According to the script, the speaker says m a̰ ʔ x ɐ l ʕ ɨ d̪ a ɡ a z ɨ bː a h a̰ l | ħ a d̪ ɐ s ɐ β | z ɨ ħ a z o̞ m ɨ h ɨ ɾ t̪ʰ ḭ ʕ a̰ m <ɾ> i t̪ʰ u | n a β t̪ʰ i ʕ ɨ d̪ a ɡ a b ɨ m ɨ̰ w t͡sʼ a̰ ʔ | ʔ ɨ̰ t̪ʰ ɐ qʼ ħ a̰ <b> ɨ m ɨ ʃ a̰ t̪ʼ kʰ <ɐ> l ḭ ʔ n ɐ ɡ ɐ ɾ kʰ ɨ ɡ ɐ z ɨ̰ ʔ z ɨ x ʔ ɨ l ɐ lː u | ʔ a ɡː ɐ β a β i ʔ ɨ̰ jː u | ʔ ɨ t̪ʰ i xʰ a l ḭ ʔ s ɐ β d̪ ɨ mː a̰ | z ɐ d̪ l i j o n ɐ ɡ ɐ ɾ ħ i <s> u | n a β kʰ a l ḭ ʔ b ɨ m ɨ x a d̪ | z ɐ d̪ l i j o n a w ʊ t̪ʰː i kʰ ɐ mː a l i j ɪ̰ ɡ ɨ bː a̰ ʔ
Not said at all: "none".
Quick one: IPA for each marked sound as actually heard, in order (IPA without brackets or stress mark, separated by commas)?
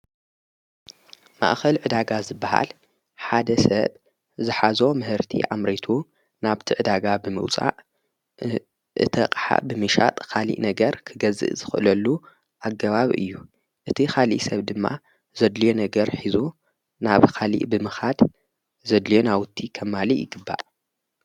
ɾ, b, a, z